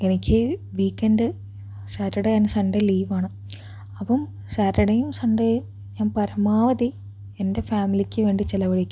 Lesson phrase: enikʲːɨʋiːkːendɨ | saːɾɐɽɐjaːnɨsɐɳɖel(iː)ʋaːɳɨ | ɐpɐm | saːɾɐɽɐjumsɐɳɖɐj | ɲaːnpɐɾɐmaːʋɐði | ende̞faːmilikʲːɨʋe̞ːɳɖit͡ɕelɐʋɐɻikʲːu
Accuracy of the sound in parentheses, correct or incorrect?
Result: correct